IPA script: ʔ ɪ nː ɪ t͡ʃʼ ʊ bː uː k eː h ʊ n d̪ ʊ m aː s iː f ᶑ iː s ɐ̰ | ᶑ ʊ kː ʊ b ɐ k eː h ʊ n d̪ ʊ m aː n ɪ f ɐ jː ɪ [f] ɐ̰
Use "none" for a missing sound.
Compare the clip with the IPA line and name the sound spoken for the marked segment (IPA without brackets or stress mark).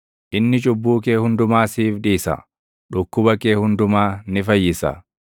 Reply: s